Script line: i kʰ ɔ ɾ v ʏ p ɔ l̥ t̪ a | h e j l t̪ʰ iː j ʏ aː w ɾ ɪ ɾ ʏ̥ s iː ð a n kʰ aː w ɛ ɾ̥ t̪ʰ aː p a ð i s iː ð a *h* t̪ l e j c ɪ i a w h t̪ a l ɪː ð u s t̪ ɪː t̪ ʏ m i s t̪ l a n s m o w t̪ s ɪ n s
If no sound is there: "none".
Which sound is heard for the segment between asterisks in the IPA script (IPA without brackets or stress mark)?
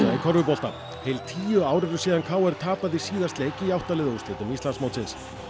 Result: s